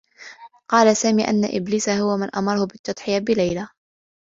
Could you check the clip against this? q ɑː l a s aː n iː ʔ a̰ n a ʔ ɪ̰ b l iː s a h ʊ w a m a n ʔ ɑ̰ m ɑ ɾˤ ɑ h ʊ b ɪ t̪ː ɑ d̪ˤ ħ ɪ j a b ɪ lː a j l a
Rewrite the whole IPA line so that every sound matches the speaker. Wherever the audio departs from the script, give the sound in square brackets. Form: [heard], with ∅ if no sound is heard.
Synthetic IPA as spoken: q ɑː l a s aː [m] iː ʔ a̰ [nː] a ʔ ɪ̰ b l iː s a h ʊ w a m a n ʔ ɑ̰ m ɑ ɾˤ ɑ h ʊ b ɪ t̪ː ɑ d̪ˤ ħ ɪ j a b ɪ [l] a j l a